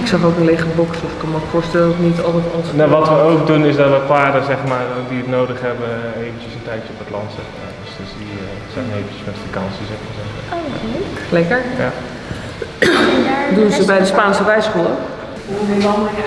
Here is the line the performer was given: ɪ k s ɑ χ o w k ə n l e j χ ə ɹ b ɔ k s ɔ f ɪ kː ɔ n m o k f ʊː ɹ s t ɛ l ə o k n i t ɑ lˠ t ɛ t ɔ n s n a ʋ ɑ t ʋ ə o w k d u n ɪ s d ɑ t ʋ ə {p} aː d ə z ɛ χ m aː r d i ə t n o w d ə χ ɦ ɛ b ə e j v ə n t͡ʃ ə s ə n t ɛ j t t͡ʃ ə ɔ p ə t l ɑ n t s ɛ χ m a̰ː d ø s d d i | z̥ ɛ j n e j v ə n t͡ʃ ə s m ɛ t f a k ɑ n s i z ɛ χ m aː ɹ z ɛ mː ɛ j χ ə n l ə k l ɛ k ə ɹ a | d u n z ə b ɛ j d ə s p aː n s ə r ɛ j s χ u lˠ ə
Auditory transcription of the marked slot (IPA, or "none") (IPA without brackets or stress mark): p